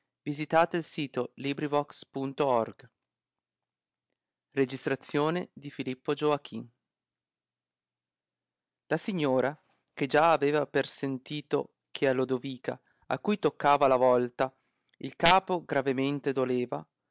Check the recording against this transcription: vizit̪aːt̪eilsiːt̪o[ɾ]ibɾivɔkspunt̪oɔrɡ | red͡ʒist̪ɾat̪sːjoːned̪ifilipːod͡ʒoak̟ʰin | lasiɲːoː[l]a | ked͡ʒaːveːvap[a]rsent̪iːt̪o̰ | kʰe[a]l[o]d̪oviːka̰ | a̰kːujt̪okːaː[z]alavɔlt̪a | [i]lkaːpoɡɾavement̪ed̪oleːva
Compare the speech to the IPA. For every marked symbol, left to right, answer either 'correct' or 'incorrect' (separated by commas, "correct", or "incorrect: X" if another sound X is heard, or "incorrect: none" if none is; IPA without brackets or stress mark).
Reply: incorrect: l, incorrect: ɾ, incorrect: e, correct, correct, incorrect: v, correct